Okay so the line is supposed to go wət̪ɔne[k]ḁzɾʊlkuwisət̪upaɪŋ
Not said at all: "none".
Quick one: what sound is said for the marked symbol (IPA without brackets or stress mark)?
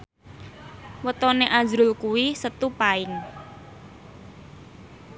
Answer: ʔ